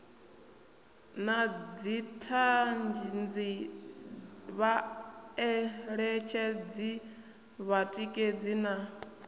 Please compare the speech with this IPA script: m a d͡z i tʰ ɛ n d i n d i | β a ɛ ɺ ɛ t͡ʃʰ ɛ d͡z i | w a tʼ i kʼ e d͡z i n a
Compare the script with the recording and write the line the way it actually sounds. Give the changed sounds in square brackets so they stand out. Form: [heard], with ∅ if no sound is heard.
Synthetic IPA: [n] a d͡z i tʰ [a] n [d͡ʒ] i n [d͡z] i | β a ɛ ɺ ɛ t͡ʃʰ ɛ d͡z i | [β] a tʼ i kʼ e d͡z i n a